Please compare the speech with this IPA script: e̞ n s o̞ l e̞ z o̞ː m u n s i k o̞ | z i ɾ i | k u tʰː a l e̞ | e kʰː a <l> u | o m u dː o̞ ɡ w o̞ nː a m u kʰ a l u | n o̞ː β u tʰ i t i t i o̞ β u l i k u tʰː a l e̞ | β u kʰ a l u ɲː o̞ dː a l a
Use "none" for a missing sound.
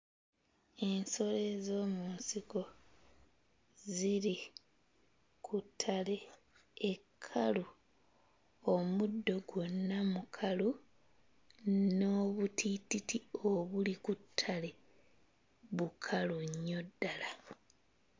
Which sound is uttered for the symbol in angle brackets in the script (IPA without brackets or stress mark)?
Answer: l